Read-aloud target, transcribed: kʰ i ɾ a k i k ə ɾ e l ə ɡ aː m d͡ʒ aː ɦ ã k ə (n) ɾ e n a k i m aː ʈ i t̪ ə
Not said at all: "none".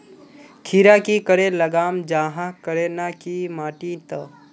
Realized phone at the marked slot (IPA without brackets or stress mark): none